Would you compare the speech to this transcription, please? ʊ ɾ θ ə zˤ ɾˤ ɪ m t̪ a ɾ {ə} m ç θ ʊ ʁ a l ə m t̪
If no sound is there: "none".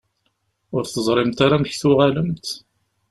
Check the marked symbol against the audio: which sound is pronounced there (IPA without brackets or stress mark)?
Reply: a